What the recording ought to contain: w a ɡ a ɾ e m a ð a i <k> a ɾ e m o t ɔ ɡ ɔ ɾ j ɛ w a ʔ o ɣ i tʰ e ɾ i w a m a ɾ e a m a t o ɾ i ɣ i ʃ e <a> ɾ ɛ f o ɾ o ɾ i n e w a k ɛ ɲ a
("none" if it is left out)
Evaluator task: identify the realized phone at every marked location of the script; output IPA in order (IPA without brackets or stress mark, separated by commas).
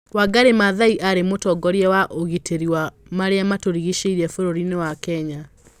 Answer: ʔ, i